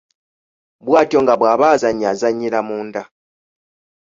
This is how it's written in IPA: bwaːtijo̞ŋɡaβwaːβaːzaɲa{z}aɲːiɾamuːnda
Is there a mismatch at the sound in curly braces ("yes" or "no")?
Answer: no